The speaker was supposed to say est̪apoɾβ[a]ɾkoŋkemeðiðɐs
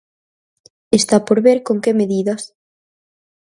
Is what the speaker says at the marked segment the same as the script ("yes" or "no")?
no